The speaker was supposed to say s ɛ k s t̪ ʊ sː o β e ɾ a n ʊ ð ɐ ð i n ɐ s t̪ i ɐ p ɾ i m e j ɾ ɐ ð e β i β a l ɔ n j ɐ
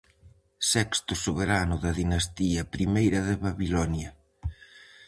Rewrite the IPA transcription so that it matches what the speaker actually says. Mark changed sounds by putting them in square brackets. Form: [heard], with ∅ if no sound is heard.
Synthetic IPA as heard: s ɛ k s t̪ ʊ [s] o β e ɾ a n ʊ ð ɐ ð i n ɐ s t̪ i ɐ p ɾ i m e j ɾ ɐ ð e β [a] β [i] l ɔ n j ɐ